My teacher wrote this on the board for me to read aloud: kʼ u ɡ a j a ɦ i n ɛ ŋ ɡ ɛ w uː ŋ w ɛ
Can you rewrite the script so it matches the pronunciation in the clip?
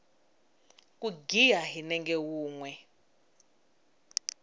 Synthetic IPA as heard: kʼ u ɡ i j a ɦ i n ɛ ŋ ɡ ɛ w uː ŋ w ɛ